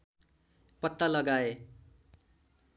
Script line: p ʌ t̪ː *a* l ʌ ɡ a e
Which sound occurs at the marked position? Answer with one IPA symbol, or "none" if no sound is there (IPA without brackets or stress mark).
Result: a